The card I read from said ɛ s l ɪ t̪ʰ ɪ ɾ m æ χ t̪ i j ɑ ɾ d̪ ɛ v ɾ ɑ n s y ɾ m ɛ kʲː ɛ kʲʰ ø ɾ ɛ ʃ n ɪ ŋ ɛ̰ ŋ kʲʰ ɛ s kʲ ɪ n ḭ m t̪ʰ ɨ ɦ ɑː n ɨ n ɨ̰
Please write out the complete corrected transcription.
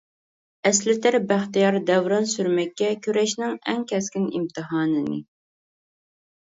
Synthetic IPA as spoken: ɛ s l ɪ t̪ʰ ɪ ɾ b æ χ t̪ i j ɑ ɾ d̪ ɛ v ɾ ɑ n s y ɾ m ɛ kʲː ɛ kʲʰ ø ɾ ɛ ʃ n ɪ ŋ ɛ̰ ŋ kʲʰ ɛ s kʲ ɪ n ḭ m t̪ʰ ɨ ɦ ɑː n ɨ n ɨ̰